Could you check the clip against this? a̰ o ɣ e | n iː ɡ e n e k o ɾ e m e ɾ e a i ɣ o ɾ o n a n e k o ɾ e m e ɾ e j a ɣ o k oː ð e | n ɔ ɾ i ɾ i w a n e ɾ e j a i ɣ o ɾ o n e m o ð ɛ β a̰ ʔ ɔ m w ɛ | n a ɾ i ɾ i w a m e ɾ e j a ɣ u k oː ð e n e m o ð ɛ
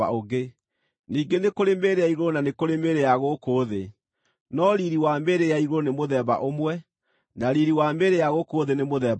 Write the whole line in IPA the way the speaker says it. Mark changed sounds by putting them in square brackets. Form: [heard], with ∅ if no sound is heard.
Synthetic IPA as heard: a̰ o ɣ e | n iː ɡ e n e k o ɾ e m e ɾ e a i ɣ o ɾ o n a n e k o ɾ e m e ɾ e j a ɣ o k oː ð e | n ɔ ɾ i ɾ i w a [m] e ɾ e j a i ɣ o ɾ o n e m o ð ɛ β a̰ ʔ [o] m w ɛ | n a ɾ i ɾ i w a m e ɾ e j a ɣ [o] k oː ð e n e m o ð ɛ